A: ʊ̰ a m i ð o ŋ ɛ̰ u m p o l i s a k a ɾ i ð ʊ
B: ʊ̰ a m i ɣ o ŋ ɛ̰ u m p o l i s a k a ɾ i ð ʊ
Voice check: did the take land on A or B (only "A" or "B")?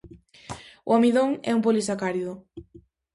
A